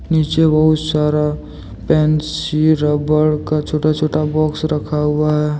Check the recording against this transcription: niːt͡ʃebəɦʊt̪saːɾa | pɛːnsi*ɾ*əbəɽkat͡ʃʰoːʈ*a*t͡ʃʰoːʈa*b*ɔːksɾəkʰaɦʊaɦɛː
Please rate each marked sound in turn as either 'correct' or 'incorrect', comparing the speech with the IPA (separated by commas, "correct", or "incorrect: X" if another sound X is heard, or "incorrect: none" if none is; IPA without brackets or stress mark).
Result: correct, correct, correct